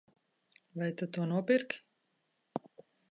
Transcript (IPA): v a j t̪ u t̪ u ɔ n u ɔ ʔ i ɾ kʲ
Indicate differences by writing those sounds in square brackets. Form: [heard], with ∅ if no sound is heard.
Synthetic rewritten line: v a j t̪ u t̪ u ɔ n u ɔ [p] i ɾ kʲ